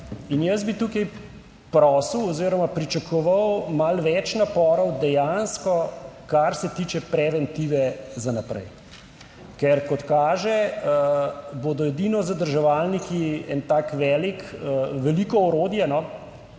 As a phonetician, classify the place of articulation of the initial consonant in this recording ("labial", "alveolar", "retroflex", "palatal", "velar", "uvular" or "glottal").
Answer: alveolar